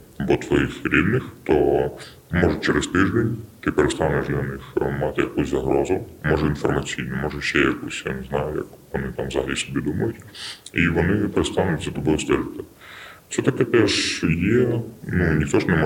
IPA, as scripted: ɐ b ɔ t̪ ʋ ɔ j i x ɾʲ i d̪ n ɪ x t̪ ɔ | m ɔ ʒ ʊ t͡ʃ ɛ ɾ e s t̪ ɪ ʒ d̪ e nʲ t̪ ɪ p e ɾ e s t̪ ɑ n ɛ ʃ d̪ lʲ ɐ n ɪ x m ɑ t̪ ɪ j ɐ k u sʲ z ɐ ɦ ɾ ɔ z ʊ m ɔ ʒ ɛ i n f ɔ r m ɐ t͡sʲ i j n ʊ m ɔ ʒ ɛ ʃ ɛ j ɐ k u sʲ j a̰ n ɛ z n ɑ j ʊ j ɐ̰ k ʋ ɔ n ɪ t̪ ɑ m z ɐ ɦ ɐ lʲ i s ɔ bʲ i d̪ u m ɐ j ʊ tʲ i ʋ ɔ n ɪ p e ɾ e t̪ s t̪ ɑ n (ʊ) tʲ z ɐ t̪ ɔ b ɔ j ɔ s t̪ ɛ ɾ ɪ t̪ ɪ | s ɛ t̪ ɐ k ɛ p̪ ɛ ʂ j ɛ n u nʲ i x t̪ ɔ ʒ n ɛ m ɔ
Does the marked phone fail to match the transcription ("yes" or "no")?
no